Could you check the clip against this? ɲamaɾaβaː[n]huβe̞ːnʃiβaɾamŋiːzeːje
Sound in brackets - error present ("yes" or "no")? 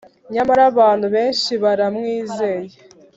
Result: no